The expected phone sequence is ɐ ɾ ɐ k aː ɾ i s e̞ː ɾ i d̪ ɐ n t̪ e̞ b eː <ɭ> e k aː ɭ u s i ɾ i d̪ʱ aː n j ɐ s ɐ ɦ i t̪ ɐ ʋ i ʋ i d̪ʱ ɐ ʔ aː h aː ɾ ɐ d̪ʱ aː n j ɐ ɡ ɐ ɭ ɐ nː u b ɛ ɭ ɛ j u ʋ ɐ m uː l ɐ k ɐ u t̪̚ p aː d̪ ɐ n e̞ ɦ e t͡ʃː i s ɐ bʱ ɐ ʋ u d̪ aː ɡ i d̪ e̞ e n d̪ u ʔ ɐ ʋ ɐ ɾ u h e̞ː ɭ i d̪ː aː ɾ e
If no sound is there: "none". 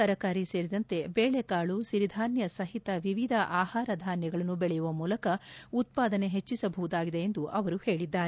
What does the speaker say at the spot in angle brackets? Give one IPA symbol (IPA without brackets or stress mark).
ɭ